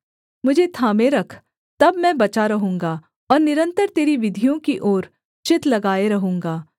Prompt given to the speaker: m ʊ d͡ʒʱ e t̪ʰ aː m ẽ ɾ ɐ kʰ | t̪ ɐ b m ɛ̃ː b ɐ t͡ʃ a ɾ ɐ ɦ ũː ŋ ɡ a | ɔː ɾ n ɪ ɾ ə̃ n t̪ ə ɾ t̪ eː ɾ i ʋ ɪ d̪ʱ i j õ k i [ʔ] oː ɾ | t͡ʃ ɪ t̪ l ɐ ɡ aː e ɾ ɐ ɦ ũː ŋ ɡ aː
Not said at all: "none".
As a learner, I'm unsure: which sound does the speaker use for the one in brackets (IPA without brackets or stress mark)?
ʔ